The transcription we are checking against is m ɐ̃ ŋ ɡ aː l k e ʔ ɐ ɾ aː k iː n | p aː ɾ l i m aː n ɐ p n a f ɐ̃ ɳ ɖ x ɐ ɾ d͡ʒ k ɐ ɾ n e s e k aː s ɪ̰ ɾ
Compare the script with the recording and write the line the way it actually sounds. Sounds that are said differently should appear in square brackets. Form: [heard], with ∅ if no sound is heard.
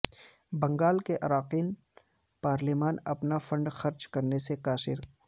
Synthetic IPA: [b] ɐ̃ ŋ ɡ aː l k e ʔ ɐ ɾ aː [q] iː n | p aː ɾ l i m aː n ɐ p n a f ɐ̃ ɳ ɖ x ɐ ɾ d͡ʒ k ɐ ɾ n e s e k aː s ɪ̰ ɾ